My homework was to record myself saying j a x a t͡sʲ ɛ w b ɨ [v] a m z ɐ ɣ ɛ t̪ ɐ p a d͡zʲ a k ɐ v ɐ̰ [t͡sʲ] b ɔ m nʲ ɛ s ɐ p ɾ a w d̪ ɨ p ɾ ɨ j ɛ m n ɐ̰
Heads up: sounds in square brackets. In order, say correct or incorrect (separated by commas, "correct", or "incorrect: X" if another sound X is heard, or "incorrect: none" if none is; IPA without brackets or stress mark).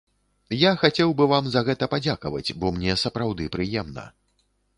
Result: correct, correct